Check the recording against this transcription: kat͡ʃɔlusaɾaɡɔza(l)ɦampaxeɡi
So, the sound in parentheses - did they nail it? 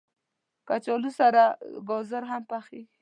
no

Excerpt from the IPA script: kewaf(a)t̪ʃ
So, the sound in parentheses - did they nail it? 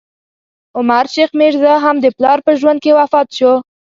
no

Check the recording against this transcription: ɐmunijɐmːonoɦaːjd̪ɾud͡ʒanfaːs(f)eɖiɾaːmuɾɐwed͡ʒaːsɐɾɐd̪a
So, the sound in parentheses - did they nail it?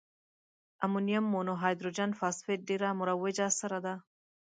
yes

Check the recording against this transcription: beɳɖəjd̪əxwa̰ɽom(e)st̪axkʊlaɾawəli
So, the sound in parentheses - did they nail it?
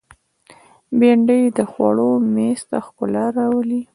yes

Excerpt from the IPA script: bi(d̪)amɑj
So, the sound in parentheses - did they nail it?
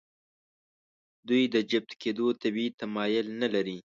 no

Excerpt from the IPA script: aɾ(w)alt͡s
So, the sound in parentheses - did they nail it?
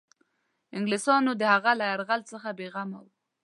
no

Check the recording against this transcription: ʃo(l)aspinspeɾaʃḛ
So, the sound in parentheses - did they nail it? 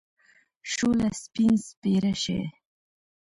yes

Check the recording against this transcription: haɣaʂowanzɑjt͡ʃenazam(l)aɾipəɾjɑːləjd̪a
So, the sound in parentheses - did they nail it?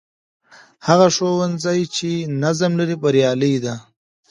yes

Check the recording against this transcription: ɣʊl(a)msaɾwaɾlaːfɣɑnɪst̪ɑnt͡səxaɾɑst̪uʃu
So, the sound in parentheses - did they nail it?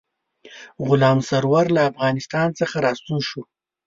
no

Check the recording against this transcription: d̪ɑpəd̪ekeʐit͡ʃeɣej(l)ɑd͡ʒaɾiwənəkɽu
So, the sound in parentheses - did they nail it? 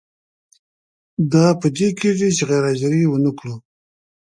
no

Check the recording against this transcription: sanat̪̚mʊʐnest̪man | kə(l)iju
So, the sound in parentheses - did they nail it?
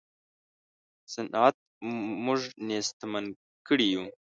no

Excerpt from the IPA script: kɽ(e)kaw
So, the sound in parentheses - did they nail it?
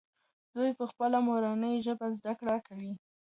no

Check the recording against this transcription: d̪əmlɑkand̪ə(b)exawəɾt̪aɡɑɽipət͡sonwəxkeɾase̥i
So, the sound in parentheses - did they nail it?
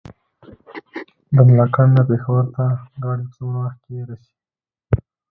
no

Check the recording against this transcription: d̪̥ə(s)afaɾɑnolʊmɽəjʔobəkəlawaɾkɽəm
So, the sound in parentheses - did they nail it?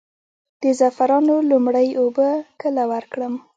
no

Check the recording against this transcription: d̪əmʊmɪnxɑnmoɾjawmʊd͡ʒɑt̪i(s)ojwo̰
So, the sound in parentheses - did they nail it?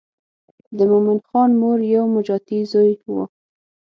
no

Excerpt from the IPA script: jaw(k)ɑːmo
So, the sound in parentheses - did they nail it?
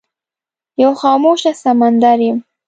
no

